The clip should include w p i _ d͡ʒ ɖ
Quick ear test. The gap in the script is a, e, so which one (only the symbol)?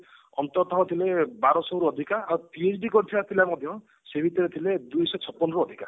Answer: e